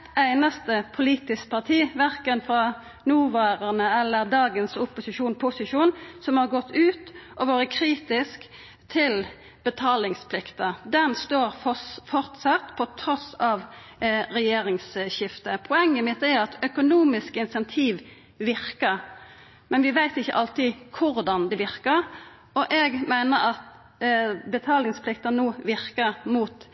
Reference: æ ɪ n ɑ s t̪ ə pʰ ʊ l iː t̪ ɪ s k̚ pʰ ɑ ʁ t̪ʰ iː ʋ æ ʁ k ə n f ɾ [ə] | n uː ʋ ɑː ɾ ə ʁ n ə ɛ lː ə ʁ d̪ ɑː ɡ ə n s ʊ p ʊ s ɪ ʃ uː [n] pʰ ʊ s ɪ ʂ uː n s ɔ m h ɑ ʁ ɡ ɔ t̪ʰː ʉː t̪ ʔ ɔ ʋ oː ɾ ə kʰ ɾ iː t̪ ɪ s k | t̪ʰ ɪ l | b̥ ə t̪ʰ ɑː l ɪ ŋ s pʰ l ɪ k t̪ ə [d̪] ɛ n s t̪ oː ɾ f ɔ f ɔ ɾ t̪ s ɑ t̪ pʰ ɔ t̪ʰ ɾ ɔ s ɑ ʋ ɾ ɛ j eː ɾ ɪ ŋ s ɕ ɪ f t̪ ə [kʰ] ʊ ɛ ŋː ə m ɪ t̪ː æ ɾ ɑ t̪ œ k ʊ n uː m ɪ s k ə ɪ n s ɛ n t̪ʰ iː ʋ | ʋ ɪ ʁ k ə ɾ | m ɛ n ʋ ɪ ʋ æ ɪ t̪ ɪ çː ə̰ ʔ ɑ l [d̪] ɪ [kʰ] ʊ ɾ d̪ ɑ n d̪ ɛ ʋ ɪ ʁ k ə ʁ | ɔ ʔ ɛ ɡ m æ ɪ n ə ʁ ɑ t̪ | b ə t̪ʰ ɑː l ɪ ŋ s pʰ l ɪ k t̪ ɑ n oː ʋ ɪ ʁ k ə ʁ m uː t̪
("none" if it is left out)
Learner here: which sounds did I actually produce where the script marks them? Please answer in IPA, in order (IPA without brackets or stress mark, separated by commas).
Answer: ɑ, n, d̪, pʰ, t̪, kʰ